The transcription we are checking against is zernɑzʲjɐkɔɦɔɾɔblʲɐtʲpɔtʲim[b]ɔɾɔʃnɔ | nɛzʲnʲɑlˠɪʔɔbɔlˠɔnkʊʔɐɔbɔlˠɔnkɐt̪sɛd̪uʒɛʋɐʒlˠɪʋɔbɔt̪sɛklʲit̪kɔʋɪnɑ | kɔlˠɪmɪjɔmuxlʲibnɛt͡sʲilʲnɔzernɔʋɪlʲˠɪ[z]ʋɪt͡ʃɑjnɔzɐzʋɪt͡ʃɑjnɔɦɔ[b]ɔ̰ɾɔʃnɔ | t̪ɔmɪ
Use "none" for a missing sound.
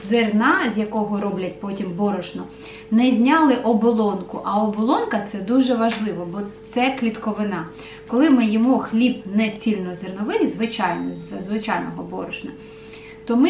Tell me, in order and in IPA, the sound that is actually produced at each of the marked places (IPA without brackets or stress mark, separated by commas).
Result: b, z, b